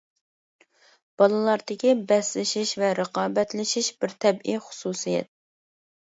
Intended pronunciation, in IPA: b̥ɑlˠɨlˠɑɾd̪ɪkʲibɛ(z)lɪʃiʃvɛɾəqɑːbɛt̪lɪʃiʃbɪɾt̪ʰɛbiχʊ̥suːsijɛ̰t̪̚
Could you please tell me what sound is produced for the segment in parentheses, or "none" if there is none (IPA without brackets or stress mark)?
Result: s